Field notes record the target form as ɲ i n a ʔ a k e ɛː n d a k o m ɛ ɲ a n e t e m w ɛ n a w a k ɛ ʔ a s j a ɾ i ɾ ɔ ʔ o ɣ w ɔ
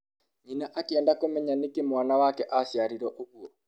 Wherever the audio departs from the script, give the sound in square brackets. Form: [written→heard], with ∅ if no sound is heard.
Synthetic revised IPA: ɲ i n a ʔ a k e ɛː n d a k o m ɛ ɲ a n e [t→k] e m w [ɛ→a] n a w a k ɛ ʔ a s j a ɾ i ɾ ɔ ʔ o ɣ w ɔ